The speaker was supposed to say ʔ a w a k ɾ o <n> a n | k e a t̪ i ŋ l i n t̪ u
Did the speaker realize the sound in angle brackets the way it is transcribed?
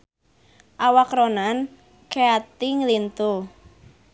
yes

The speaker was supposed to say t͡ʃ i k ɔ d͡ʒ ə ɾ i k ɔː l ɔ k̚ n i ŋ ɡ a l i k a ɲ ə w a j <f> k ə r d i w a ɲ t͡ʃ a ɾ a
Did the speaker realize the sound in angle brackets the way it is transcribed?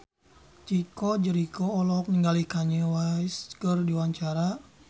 no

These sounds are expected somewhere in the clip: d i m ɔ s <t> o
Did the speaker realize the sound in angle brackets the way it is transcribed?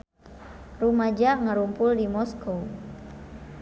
no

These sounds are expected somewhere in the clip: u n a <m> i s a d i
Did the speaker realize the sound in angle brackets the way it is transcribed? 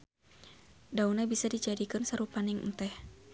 no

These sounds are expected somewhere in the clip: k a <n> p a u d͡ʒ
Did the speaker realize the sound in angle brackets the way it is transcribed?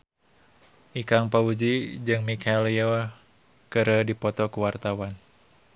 no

